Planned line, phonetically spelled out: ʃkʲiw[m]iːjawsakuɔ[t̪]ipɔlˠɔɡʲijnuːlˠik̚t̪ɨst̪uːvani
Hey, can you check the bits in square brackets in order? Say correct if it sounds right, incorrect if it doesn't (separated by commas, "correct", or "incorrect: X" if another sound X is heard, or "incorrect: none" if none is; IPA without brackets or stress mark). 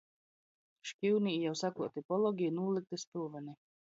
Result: incorrect: n, correct